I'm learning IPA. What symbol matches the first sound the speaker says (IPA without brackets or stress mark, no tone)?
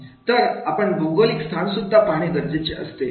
t̪